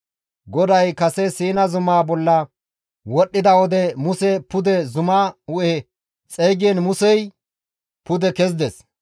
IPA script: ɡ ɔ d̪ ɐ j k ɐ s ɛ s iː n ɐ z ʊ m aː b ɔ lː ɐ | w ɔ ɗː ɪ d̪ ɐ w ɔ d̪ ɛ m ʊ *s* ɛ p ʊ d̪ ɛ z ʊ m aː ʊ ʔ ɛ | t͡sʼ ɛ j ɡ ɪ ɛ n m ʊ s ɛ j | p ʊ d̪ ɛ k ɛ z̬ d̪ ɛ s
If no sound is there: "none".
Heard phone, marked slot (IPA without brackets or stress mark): s